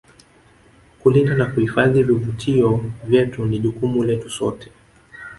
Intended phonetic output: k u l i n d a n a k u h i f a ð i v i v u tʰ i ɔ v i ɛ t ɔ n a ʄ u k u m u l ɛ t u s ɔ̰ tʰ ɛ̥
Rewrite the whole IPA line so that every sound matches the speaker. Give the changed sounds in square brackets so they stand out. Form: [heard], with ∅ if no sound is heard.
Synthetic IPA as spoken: k u l i n d a n a k u h i f a ð i v i v u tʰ i ɔ v [j] ɛ t [u] n [i] ʄ u k u m u l ɛ t u s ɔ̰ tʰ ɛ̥

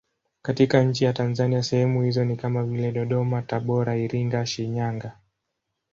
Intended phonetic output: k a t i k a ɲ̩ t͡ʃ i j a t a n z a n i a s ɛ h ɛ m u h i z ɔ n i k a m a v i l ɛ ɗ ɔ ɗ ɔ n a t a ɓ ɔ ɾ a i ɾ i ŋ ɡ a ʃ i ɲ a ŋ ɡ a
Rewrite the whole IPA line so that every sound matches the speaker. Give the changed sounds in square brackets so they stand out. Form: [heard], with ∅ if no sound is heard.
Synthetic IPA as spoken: k a t i k a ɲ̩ t͡ʃ i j a t a n z a n i a s ɛ h ɛ m u h i z ɔ n i k a m a v i l ɛ ɗ ɔ ɗ ɔ [m] a t a ɓ ɔ ɾ a i ɾ i ŋ ɡ a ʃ i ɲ a ŋ ɡ a

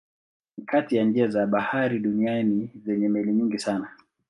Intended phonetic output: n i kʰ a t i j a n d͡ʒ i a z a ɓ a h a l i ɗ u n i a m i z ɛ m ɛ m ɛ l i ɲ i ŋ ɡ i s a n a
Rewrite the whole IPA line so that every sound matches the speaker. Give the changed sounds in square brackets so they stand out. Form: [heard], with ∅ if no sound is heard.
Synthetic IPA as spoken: n i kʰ a t i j a n d͡ʒ i a z a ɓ a h a [ɾ] i ɗ u n i a [n] i z ɛ [ɲ] ɛ m ɛ l i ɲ i ŋ ɡ i s a n a

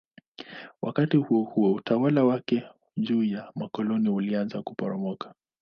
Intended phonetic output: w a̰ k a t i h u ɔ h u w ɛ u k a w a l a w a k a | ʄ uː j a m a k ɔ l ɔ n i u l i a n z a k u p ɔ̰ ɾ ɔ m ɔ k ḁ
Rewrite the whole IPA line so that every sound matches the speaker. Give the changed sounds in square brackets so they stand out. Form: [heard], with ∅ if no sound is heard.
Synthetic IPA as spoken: w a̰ k a t i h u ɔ h u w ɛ u [t] a w a l a w a k [ɛ] | ʄ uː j a m a k ɔ l ɔ n i u l i a n z a k u p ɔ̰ ɾ ɔ m ɔ k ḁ

